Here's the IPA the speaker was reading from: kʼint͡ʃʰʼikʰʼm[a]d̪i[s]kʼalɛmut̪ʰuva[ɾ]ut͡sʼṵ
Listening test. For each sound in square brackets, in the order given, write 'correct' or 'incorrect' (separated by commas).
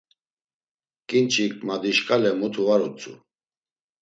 correct, incorrect, correct